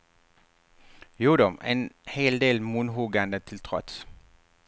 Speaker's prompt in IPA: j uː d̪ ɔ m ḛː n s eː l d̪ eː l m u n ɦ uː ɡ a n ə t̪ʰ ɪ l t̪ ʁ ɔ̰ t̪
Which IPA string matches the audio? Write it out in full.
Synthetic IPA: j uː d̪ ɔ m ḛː n h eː l d̪ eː l m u n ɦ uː ɡ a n ə t̪ʰ ɪ l t̪ʰ ʁ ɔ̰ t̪